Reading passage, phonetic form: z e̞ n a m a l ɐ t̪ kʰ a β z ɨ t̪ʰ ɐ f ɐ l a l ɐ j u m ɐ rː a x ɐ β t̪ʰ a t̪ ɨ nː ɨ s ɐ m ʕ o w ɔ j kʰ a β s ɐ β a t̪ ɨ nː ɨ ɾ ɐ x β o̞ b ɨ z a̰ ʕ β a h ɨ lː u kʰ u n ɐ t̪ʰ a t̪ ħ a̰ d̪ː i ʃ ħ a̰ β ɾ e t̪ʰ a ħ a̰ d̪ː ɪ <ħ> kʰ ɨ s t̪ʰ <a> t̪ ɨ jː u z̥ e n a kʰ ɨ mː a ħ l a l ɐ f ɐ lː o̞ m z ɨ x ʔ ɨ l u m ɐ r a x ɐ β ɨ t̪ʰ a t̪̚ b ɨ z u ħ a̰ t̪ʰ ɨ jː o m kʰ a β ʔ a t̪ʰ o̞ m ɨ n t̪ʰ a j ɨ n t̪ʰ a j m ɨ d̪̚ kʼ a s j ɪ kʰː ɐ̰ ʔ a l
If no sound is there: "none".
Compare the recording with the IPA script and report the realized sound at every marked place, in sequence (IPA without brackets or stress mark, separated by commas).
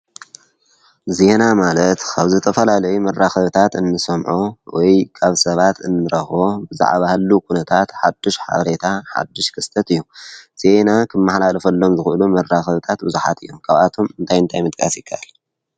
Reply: ʃ, ɐ